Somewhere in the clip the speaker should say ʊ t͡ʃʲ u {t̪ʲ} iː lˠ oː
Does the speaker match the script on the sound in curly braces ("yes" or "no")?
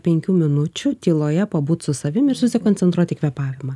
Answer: yes